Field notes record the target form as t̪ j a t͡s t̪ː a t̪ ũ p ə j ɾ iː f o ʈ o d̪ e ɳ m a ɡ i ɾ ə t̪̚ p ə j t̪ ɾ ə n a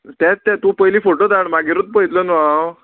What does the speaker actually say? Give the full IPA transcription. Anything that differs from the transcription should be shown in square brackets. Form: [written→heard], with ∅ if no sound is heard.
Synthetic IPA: t̪ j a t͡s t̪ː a t̪ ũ p ə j [ɾ→l] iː f o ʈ o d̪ [e→a] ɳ m a ɡ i ɾ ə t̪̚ p ə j t̪ [ɾ→l] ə n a